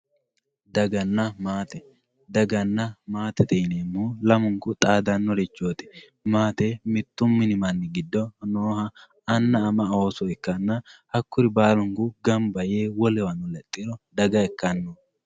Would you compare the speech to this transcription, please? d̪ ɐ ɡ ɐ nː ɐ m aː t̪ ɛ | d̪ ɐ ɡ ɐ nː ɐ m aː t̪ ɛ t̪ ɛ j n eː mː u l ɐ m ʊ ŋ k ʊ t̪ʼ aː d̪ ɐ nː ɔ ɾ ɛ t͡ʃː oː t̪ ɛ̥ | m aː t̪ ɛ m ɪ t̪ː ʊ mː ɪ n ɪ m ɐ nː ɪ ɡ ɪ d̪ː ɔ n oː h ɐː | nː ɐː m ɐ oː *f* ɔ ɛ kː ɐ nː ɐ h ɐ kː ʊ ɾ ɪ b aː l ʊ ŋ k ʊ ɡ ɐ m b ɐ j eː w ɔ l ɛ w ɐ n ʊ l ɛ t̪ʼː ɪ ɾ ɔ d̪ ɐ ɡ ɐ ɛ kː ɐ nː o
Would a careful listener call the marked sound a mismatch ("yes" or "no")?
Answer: yes